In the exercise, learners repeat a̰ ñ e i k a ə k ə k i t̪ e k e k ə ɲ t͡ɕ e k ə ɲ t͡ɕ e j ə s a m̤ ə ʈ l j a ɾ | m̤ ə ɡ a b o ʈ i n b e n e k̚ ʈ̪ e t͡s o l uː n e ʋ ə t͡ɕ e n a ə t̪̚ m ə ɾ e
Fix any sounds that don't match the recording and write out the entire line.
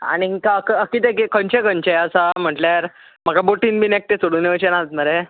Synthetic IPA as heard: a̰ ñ i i k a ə k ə k i t̪ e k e k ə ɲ t͡ɕ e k ə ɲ t͡ɕ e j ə s a m̤ ə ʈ l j a ɾ | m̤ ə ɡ a b o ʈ i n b i n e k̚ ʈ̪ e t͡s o ɽ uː n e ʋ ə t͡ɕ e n a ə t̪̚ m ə ɾ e